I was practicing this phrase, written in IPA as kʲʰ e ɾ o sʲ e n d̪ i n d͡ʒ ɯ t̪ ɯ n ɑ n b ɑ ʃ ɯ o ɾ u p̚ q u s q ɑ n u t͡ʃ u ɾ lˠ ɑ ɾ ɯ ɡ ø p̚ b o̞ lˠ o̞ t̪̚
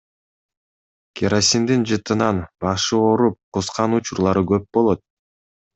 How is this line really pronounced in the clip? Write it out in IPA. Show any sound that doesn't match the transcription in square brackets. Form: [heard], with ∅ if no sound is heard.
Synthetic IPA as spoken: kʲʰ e ɾ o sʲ [i] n d̪ i n d͡ʒ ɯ t̪ ɯ n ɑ n b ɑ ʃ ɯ o ɾ u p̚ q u s q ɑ n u t͡ʃ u ɾ lˠ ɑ ɾ ɯ ɡ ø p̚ b o̞ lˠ o̞ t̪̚